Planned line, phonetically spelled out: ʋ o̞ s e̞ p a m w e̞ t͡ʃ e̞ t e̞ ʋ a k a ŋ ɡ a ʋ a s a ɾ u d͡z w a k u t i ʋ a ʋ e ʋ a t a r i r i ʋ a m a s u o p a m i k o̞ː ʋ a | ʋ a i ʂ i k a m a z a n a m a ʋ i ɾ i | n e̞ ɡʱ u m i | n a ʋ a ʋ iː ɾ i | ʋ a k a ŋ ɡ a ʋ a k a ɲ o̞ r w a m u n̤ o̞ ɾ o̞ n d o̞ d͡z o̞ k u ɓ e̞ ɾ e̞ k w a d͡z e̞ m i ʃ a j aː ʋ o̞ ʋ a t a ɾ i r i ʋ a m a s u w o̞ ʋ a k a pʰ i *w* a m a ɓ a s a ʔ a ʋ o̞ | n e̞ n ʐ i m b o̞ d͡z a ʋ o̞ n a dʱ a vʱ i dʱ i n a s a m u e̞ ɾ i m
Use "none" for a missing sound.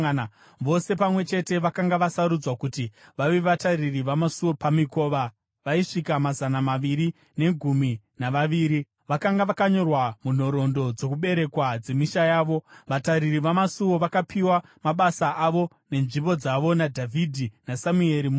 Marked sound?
w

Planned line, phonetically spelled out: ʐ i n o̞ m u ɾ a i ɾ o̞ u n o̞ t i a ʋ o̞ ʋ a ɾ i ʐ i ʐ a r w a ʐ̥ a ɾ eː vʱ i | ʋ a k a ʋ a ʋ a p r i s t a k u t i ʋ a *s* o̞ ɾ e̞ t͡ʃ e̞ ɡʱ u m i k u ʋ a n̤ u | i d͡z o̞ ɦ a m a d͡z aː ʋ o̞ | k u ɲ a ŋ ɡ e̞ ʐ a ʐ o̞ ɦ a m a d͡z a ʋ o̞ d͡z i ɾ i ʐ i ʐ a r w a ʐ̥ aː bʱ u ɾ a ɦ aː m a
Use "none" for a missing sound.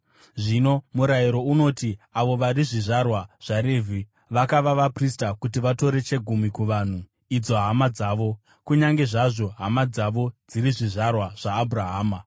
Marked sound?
t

